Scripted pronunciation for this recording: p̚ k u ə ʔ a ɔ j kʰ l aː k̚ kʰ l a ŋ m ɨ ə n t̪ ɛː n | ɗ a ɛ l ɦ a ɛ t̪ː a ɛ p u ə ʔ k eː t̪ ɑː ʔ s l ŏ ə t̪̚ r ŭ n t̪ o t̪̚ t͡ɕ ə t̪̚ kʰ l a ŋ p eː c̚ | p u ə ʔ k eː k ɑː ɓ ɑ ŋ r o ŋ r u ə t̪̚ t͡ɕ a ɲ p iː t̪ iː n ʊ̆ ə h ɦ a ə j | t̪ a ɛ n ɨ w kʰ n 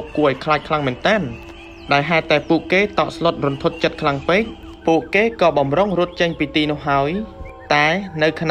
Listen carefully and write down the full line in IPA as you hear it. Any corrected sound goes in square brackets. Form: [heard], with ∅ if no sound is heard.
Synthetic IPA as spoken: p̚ k u ə ʔ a ɔ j kʰ l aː [c̚] kʰ l a ŋ m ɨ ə n t̪ ɛː n | ɗ a ɛ l ɦ a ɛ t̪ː a ɛ p u ə ʔ k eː t̪ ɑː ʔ s l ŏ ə t̪̚ r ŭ n [t̪ʰ] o t̪̚ t͡ɕ ə t̪̚ kʰ l a ŋ p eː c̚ | p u ə ʔ k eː k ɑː ɓ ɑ [m] r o ŋ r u ə t̪̚ t͡ɕ [ə] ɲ p iː t̪ iː n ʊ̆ ə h ɦ a ə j | t̪ a ɛ n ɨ w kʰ n